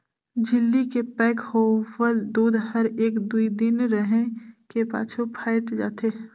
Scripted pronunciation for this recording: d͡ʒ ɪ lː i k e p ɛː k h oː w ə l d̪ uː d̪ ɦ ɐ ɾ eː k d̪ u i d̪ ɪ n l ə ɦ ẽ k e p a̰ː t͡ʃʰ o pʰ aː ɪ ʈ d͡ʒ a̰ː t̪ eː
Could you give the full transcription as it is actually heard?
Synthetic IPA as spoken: d͡ʒ ɪ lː i k e p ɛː k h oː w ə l d̪ uː d̪ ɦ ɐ ɾ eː k d̪ u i d̪ ɪ n ɾ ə ɦ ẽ k e p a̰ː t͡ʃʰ o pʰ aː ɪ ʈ d͡ʒ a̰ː t̪ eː